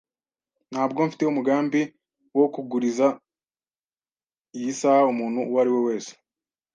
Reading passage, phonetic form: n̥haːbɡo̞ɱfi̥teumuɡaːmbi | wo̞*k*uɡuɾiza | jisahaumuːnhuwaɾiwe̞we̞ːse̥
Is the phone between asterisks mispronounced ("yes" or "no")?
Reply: no